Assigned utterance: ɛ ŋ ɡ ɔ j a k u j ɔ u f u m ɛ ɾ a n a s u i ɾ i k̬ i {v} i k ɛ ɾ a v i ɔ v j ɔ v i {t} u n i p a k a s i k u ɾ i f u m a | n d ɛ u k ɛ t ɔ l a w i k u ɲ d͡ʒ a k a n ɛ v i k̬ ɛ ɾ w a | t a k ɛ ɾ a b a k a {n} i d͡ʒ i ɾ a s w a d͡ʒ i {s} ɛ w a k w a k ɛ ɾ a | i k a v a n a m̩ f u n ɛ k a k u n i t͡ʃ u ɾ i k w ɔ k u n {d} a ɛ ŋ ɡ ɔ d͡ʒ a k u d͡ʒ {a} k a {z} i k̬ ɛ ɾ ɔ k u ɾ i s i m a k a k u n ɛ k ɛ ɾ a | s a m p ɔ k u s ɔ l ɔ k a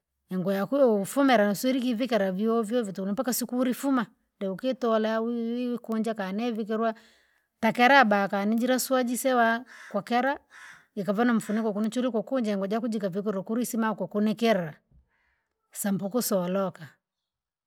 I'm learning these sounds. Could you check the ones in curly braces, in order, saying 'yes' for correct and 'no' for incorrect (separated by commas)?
yes, yes, yes, yes, no, no, no